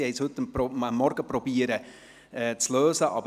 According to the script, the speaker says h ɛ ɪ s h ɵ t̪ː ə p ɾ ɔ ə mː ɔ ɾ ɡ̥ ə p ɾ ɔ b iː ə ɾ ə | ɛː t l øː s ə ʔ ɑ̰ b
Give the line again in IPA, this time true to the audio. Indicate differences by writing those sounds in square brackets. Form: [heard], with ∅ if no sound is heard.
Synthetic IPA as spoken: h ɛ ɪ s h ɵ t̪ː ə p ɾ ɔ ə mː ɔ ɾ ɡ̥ ə p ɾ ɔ b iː ə ɾ ə | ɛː [t͡s] l øː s ə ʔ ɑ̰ b